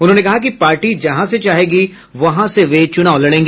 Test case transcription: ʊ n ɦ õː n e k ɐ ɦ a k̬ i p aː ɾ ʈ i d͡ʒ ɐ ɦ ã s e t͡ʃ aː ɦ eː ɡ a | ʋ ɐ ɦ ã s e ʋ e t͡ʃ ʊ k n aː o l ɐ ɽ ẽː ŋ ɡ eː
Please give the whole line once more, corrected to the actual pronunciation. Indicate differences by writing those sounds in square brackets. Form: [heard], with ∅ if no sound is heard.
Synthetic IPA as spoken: ʊ n ɦ õː n e k ɐ ɦ a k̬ i p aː ɾ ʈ i d͡ʒ ɐ ɦ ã s e t͡ʃ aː ɦ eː ɡ [i] | ʋ ɐ ɦ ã s e ʋ e t͡ʃ ʊ [∅] n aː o l ɐ ɽ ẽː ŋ ɡ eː